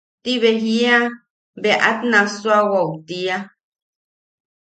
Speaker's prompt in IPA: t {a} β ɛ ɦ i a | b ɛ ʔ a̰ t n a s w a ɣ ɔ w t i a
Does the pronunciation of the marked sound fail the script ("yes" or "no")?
yes